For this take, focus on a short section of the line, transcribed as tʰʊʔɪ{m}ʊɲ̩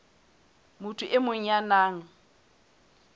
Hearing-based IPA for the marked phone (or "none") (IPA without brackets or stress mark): m